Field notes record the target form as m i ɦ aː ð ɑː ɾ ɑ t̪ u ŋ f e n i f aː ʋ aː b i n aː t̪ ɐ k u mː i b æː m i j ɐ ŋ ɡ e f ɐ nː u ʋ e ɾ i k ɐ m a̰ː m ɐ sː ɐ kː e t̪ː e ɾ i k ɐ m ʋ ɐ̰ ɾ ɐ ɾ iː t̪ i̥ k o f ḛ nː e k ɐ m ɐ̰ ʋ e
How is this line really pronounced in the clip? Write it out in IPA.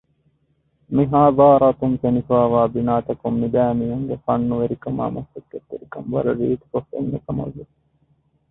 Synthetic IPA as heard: m i ɦ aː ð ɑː ɾ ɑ t̪ u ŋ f e n i f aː ʋ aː b i n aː t̪ ɐ k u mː i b æː m i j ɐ ŋ ɡ e f ɐ nː u ʋ e ɾ i k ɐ m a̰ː m ɐ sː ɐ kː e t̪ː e ɾ i k ɐ m ʋ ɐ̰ ɾ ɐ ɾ iː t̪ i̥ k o f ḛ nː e k ɐ m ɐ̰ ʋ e